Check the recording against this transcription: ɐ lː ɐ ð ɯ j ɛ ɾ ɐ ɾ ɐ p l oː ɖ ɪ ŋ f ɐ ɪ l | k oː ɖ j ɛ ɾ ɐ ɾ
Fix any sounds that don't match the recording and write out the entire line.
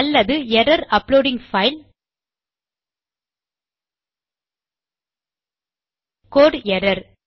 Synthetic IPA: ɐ lː ɐ ð ɯ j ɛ ɾ ɐ ɾ ɐ p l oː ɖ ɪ ŋ f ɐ ɪ l | k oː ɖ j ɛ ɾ ɐ ɾ